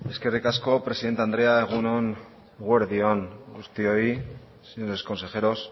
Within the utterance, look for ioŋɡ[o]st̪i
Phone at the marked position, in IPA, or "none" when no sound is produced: u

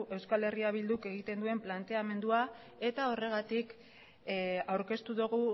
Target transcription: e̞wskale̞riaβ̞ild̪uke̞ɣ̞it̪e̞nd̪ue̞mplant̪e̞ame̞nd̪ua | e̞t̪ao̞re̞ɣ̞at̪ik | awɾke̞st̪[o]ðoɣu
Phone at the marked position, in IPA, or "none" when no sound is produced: u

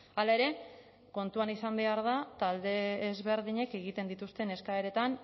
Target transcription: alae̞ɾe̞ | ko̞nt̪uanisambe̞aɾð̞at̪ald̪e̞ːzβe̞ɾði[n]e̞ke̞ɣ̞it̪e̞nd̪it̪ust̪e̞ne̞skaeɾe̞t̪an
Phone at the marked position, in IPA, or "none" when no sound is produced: ɲ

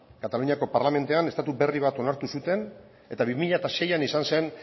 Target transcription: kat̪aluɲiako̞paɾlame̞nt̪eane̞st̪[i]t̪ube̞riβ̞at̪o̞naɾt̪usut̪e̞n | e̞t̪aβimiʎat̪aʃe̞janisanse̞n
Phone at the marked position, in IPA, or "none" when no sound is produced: a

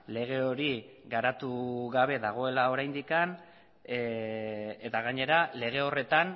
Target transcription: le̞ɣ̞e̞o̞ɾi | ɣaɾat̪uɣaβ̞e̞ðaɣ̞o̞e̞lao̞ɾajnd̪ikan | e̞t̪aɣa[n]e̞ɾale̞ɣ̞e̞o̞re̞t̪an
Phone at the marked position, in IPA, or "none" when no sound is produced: ɲ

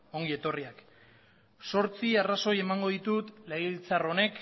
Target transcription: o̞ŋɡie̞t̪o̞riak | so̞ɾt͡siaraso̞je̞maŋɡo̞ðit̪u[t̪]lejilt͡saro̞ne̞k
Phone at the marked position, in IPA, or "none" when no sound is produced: t̪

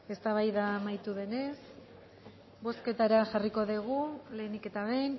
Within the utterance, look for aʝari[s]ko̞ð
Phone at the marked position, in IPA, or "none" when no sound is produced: none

